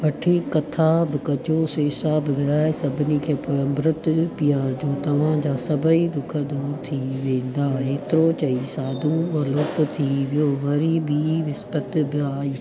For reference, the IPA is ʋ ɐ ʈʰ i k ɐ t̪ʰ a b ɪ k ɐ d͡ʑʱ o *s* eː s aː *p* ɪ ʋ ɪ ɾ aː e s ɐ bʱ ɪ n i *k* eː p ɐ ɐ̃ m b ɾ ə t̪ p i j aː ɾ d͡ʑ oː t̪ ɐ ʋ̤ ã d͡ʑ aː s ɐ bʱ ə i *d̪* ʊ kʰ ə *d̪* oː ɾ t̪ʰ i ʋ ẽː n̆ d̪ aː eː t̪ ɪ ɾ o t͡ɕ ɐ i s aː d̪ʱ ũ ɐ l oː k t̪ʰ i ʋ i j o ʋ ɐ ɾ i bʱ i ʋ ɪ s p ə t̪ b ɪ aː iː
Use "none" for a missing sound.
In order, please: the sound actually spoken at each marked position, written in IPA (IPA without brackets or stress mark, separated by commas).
s, b, kʰ, d̪, d̪